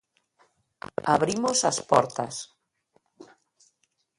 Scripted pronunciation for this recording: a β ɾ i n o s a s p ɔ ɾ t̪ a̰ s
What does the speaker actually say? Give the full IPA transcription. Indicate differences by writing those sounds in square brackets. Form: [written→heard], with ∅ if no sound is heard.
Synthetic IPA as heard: a β ɾ i [n→m] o s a s p ɔ ɾ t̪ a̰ s